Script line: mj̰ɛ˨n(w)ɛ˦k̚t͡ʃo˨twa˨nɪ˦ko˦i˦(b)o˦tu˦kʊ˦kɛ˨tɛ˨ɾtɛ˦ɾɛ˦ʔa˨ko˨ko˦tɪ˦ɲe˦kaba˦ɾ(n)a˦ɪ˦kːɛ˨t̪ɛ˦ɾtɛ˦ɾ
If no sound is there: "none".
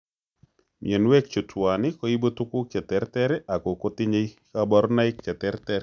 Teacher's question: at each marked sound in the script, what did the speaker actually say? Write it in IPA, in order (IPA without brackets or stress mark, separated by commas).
w, b, n